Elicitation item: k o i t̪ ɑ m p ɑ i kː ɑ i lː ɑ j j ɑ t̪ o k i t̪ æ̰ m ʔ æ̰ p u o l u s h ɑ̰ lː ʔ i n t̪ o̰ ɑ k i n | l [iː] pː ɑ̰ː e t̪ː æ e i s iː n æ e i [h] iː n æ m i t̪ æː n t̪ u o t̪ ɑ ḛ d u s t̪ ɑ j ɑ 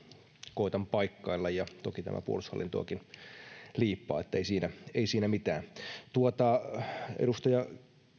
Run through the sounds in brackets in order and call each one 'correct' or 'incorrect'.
correct, incorrect: s

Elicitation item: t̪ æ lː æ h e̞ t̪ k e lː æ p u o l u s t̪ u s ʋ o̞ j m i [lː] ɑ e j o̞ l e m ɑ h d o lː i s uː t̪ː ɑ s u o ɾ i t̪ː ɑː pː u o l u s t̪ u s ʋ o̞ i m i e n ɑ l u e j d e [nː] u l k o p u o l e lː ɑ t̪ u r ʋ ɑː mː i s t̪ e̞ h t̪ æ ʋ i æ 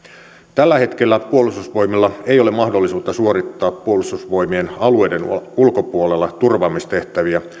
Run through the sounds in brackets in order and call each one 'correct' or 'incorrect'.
correct, incorrect: n

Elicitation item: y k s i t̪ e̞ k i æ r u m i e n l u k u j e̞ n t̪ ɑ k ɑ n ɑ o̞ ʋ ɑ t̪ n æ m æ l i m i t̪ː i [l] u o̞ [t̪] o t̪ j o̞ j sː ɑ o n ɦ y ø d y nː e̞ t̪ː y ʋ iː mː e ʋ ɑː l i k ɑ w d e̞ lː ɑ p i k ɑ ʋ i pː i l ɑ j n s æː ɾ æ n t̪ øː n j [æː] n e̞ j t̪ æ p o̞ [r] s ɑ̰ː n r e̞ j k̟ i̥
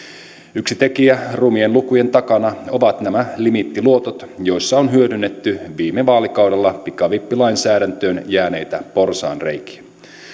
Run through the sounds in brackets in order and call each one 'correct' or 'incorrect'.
correct, correct, correct, correct

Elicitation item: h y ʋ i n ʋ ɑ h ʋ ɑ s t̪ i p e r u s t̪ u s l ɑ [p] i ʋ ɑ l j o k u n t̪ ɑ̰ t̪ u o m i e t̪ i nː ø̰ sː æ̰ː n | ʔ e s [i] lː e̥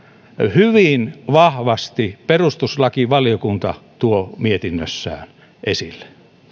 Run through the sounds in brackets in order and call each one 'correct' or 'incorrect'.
incorrect: k, correct

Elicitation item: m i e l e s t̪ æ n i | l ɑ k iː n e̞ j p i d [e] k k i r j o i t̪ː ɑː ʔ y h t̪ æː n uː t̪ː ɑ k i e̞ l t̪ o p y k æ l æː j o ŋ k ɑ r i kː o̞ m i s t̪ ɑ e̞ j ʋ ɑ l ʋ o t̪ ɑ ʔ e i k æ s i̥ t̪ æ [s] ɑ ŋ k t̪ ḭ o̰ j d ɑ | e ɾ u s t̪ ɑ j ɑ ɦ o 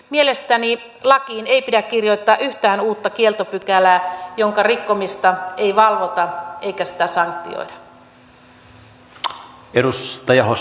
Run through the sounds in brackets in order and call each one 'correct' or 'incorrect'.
incorrect: æ, correct

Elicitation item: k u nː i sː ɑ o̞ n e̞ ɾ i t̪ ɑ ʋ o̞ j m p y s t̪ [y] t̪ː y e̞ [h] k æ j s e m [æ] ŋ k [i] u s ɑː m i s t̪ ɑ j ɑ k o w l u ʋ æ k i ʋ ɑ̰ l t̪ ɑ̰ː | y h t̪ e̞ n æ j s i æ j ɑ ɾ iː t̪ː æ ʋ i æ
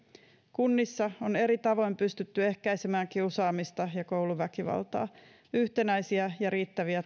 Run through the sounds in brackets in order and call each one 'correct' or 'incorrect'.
correct, correct, incorrect: æː, correct

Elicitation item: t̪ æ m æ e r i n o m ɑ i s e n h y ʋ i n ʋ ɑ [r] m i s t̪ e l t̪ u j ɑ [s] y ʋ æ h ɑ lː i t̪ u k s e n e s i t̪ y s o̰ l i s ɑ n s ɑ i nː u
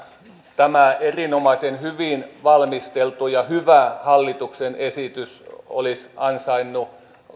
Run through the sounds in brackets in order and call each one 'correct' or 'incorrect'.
incorrect: l, incorrect: h

